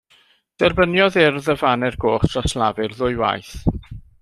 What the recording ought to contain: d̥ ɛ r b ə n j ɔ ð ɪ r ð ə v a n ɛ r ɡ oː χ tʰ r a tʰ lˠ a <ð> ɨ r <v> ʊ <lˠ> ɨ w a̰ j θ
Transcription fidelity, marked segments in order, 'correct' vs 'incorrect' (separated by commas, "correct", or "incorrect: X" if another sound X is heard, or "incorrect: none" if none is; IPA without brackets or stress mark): incorrect: v, incorrect: ð, incorrect: none